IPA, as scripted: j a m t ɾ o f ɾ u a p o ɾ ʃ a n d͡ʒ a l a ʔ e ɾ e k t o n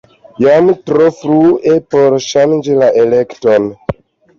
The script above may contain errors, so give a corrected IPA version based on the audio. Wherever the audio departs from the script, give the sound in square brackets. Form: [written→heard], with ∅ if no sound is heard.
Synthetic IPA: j a m t ɾ o f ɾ u [a→e] p o ɾ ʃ a n d͡ʒ [a→i] l a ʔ e [ɾ→l] e k t o n